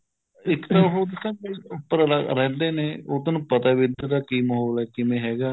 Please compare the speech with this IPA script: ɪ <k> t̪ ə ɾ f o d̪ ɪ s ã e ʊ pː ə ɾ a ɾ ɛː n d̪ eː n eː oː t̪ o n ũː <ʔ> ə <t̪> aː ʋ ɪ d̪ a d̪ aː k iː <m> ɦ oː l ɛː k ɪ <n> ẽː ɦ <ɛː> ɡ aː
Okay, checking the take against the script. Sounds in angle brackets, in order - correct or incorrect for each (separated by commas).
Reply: correct, incorrect, correct, correct, incorrect, correct